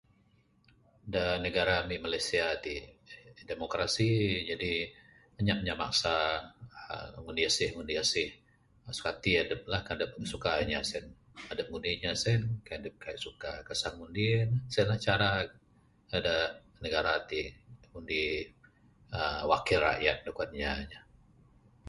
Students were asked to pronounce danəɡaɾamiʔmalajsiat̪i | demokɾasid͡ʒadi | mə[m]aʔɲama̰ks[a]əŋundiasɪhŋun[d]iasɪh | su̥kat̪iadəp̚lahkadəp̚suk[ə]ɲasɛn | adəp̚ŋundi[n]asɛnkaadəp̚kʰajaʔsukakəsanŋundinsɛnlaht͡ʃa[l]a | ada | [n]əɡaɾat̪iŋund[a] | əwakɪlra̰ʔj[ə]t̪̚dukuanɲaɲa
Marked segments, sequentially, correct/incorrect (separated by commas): incorrect, correct, correct, incorrect, incorrect, incorrect, correct, incorrect, incorrect